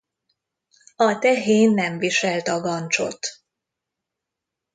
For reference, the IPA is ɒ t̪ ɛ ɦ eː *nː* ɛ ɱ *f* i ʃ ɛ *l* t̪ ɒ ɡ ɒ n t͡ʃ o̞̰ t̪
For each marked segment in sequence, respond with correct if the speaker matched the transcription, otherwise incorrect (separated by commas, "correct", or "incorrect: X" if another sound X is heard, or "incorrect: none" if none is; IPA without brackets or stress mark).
correct, incorrect: v, correct